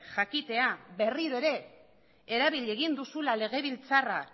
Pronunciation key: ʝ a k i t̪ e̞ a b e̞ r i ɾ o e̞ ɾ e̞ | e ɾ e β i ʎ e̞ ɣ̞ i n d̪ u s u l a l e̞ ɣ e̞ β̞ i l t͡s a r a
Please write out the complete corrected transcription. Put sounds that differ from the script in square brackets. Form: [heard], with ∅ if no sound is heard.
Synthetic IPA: ʝ a k i t̪ e̞ a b e̞ r i ɾ o e̞ ɾ e̞ | e ɾ [a] β i ʎ e̞ ɣ̞ i n d̪ u s u l a l e̞ ɣ e̞ β̞ i l t͡s a r a